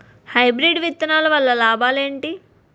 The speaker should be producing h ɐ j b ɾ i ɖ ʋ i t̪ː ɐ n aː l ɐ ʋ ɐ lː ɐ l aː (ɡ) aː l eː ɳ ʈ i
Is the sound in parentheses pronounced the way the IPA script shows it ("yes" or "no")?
no